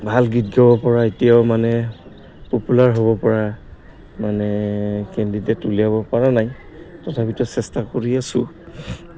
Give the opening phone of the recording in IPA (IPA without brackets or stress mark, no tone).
bʱ